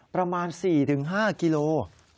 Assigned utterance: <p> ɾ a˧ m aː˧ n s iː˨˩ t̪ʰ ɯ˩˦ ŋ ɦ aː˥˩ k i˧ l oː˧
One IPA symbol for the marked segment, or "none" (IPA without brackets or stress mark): p